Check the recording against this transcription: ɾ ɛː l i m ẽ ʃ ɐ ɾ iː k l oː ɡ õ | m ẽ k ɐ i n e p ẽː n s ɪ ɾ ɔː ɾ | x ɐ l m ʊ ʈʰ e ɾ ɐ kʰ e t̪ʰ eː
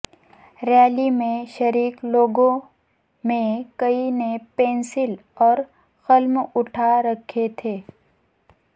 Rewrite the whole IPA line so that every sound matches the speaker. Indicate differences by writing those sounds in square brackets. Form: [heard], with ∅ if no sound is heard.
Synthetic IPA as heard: ɾ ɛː l i m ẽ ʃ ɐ ɾ iː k l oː ɡ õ | m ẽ k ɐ i n e p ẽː n s ɪ [l] ɔː ɾ | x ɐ l m ʊ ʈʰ [a] ɾ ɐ kʰ e t̪ʰ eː